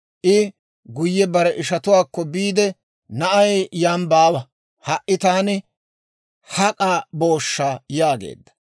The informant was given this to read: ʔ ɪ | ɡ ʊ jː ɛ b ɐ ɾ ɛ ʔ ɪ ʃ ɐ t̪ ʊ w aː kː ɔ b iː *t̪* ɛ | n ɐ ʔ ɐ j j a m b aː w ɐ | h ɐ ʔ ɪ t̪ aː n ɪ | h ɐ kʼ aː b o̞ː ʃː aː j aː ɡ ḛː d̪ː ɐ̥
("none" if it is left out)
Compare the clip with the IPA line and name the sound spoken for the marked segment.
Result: d̪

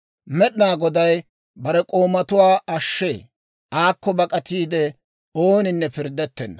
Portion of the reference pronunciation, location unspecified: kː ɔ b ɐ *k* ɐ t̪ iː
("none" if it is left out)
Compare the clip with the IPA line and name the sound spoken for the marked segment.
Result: kʼ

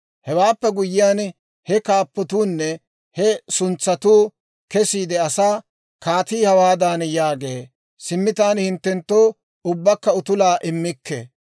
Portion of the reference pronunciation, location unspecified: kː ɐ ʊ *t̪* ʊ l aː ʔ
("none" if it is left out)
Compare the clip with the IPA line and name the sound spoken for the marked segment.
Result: t̪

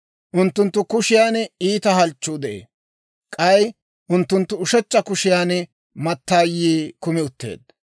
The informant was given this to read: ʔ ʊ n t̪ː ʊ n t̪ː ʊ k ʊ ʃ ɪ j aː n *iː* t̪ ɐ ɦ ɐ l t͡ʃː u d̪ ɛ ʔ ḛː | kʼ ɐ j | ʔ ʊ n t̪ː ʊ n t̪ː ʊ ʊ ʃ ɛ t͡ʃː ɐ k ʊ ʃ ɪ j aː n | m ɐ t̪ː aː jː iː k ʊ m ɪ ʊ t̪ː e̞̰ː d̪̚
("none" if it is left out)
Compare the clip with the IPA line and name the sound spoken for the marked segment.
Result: iː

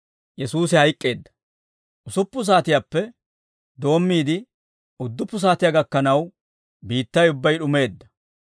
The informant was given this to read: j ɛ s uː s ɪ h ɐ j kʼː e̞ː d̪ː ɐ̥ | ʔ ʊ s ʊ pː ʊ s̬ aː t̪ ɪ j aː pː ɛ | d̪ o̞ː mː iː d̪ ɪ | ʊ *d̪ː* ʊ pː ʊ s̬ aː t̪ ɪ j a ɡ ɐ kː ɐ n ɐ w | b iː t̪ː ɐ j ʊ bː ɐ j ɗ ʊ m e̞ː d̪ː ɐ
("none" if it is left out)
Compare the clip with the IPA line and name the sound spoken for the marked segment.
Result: d̪ː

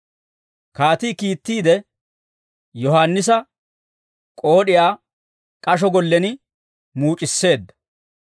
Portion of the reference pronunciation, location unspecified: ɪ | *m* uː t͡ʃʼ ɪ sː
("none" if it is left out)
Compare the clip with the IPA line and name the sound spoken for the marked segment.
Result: m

